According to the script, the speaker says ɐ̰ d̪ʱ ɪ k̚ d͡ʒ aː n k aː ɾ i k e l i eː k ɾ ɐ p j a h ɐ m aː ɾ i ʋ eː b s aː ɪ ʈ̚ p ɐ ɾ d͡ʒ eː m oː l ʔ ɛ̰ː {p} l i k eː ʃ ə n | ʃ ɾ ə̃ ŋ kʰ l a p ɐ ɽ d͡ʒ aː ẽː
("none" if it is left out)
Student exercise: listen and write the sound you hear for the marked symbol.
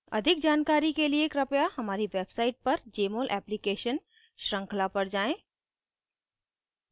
p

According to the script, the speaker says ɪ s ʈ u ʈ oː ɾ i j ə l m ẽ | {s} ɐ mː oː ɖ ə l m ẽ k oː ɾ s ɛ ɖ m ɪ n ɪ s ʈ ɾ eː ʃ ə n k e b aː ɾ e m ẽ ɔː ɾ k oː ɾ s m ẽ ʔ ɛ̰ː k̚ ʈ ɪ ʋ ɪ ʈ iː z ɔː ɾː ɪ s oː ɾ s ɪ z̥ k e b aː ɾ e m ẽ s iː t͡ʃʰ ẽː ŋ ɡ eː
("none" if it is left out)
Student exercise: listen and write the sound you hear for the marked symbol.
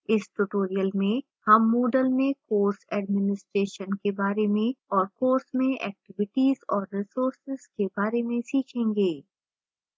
h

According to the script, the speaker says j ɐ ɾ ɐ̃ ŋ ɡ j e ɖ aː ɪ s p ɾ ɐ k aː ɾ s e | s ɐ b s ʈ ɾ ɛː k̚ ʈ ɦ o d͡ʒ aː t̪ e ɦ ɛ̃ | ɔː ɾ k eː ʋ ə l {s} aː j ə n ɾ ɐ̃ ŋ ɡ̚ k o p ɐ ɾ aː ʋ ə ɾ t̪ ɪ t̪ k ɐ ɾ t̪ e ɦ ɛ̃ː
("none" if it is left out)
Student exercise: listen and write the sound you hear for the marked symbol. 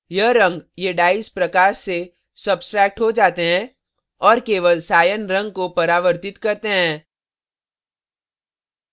s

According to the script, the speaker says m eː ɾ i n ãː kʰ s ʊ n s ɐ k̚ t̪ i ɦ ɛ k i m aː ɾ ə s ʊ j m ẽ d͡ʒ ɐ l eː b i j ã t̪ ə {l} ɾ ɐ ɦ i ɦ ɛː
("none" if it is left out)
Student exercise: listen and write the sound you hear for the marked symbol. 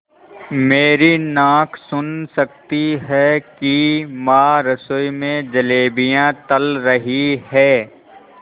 l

